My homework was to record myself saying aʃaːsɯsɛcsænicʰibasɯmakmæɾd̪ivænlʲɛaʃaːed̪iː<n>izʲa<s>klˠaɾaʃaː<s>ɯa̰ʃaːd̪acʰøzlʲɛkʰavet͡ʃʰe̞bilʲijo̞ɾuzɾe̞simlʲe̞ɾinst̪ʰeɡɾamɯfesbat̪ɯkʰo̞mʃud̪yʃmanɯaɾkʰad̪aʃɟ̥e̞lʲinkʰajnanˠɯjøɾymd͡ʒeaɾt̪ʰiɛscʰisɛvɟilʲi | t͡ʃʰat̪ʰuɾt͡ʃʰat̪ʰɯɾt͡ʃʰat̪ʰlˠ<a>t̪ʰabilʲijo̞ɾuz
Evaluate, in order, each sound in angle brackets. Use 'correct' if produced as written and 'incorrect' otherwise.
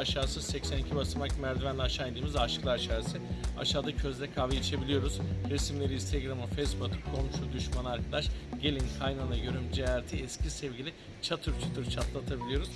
incorrect: m, incorrect: ʃ, correct, correct

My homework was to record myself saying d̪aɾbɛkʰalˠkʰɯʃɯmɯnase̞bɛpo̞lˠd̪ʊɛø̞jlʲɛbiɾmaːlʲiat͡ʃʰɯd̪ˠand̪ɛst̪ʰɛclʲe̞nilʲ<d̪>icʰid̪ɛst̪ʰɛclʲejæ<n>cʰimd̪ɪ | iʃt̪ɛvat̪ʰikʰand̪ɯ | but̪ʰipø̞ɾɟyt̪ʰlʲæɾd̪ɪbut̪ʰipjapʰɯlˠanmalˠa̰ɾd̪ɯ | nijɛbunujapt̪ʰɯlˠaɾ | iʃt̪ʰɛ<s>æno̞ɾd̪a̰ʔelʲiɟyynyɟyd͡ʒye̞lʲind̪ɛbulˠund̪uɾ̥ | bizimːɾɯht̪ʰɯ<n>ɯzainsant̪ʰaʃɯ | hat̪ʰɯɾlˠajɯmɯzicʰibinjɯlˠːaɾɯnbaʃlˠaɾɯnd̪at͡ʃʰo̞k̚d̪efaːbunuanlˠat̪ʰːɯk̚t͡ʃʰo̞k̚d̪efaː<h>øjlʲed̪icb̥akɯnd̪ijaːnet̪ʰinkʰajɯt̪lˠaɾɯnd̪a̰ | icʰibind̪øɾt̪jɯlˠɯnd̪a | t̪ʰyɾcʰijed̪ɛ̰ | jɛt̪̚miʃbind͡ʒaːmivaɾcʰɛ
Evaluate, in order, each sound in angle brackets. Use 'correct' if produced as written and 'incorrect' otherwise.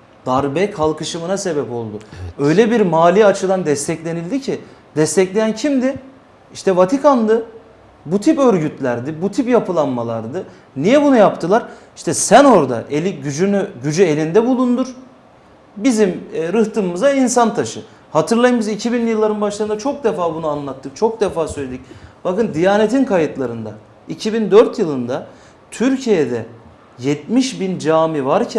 correct, correct, correct, incorrect: m, incorrect: s

